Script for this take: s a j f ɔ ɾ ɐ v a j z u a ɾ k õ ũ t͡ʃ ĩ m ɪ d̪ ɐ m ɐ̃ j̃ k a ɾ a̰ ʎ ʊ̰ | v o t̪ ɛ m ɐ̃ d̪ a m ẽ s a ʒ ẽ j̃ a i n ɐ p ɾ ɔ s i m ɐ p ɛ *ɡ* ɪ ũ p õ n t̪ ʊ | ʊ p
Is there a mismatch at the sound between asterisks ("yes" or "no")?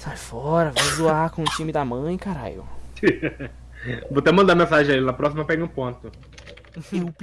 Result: no